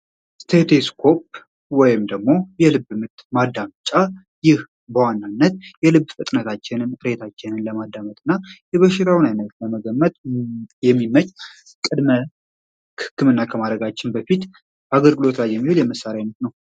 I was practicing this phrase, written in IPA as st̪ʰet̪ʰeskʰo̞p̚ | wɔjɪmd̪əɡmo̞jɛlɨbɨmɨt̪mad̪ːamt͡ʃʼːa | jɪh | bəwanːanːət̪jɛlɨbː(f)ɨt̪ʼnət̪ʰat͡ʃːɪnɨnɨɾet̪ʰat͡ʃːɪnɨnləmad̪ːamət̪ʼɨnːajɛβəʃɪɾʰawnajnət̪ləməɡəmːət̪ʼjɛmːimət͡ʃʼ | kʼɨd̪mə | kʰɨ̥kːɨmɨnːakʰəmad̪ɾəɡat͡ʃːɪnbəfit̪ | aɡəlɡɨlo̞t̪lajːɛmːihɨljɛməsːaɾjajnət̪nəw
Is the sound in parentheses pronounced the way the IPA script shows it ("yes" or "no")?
yes